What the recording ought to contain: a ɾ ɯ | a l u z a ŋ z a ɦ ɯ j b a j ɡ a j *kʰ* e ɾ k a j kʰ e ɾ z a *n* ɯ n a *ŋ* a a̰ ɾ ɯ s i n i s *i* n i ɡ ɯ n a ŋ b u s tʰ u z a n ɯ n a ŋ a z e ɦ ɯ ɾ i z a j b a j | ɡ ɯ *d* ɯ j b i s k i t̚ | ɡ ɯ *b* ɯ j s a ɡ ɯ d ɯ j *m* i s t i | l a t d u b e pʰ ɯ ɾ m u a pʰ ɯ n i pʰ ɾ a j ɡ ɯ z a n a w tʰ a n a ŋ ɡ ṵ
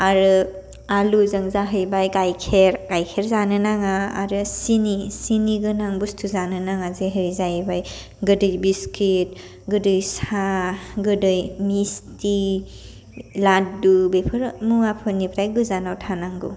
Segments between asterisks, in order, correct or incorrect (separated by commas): correct, correct, correct, correct, correct, incorrect, correct